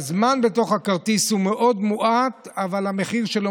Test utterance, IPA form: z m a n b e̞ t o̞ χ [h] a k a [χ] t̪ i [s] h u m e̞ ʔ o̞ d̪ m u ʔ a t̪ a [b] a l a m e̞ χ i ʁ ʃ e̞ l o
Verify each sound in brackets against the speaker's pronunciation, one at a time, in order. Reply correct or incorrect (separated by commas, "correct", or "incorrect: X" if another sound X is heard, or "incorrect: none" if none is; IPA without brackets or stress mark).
correct, incorrect: ʁ, correct, incorrect: v